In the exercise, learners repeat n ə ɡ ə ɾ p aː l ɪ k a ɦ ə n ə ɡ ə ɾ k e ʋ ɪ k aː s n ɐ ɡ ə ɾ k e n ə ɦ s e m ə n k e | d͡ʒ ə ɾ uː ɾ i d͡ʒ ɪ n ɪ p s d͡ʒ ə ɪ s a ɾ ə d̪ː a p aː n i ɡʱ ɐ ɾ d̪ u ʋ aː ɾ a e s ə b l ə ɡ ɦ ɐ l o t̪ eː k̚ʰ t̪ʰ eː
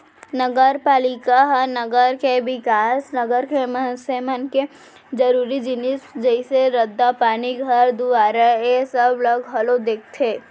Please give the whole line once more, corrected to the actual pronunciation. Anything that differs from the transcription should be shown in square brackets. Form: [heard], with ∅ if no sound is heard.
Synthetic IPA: n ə ɡ ə ɾ p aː l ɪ k a ɦ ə n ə ɡ ə ɾ k e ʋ ɪ k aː s n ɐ ɡ ə ɾ k e [m] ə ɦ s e m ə n k e | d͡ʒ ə ɾ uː ɾ i d͡ʒ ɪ n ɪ [∅] s d͡ʒ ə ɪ s [e] ɾ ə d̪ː a p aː n i ɡʱ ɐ ɾ d̪ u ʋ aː ɾ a e s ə b l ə ɡ ɦ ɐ l o [d̪] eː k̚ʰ t̪ʰ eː